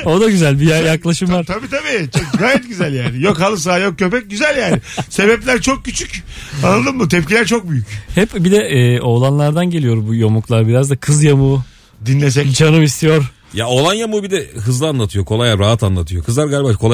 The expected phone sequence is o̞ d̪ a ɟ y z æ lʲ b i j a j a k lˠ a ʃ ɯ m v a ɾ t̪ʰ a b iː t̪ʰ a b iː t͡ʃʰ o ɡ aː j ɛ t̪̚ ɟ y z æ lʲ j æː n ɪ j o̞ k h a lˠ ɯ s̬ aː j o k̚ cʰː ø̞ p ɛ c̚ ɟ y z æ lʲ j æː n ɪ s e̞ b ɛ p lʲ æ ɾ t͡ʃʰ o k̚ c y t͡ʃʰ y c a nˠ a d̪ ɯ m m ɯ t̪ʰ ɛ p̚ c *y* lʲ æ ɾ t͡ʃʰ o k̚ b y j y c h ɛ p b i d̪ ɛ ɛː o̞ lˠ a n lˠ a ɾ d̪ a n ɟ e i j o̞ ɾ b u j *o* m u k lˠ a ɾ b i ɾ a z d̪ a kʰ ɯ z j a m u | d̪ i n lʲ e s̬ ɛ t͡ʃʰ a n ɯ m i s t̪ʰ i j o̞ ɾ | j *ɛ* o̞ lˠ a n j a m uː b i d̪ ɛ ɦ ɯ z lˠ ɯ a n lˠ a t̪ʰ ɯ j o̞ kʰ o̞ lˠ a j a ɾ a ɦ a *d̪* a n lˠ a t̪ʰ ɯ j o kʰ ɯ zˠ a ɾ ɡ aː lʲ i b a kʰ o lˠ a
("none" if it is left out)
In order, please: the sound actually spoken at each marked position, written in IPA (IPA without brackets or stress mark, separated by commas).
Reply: i, o, a, t̪